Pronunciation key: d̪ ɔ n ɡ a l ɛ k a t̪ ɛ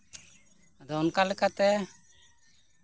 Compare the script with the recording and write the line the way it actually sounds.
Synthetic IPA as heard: d̪ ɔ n k a l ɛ k a t̪ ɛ